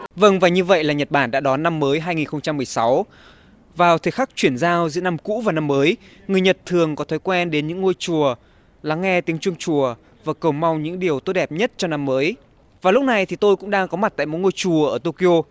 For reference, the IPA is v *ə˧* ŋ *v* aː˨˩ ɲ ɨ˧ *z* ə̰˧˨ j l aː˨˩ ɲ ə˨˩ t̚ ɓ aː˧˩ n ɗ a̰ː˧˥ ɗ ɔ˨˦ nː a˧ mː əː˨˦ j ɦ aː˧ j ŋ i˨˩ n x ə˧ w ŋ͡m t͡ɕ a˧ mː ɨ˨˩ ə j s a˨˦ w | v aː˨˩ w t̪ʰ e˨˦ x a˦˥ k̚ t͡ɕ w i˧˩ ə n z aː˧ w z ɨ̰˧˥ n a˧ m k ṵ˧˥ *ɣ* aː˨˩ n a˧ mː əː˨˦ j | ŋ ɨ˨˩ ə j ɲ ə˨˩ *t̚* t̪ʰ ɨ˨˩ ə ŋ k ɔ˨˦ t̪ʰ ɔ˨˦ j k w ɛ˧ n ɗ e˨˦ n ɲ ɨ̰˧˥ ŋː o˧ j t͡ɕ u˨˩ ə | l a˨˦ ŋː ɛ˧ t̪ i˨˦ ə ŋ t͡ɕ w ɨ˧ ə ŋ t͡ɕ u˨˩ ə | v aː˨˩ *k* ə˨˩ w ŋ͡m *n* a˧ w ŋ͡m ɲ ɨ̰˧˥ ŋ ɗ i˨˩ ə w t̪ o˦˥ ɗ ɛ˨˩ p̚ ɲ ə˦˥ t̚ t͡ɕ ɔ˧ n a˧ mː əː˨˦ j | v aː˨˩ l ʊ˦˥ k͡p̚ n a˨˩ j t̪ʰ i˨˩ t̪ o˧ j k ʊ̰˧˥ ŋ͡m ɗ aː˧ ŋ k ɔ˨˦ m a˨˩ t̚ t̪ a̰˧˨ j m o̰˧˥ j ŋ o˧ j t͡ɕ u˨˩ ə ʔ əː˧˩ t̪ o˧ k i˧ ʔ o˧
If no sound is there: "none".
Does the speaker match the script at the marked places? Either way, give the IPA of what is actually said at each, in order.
ə˧, v, v, v, t̚, k, m

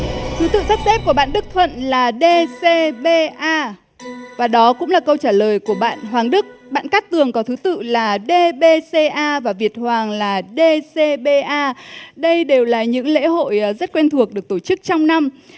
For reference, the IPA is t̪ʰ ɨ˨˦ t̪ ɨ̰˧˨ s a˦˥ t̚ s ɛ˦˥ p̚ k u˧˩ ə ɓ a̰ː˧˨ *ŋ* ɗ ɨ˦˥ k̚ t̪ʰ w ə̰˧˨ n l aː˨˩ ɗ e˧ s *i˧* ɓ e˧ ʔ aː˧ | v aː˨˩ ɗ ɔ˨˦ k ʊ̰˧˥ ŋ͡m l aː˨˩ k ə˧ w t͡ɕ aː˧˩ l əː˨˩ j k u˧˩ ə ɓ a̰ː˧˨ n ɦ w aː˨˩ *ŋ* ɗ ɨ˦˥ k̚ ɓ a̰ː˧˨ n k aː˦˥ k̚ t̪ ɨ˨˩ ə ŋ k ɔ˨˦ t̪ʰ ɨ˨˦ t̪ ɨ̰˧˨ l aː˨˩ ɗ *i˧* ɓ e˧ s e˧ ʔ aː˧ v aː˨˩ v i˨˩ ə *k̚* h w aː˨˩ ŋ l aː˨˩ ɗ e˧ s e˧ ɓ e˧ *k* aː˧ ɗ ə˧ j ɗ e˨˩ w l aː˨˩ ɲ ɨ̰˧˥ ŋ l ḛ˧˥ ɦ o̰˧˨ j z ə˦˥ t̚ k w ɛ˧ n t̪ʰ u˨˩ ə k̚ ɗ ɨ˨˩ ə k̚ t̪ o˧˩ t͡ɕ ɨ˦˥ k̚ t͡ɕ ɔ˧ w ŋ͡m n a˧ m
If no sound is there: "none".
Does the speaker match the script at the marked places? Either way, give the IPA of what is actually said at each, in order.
n, e˧, ŋ, e˧, t̚, ʔ

